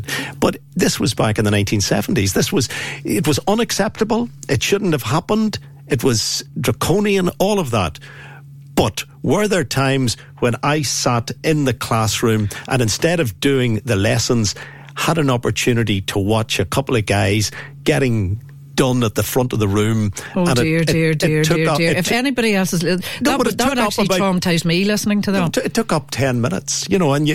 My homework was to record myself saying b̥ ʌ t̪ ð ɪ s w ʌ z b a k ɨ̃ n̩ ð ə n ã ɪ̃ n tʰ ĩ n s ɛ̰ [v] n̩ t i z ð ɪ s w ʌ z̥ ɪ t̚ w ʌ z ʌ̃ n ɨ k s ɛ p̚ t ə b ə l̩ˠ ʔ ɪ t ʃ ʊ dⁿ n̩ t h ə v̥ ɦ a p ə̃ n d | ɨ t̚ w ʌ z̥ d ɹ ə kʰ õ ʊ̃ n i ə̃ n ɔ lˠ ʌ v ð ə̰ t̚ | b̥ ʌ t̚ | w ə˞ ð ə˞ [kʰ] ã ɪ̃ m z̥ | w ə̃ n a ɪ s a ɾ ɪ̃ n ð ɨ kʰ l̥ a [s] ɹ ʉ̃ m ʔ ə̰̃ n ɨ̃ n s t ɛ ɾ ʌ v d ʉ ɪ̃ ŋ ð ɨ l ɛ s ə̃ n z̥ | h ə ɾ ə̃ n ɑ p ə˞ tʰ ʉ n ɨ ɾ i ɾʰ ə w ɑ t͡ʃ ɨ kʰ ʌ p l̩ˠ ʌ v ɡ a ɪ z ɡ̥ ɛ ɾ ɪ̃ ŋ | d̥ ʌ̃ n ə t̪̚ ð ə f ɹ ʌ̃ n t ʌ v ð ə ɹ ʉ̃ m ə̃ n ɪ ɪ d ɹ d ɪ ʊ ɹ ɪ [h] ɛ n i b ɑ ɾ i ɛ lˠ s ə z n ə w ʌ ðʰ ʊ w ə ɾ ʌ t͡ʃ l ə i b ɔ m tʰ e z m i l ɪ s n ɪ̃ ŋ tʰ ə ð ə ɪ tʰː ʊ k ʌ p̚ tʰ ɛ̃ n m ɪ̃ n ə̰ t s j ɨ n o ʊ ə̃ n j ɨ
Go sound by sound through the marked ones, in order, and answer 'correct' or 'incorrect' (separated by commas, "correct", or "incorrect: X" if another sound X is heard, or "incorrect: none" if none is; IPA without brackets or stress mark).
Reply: correct, incorrect: tʰ, correct, incorrect: f